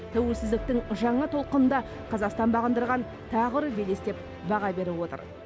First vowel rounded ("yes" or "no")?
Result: no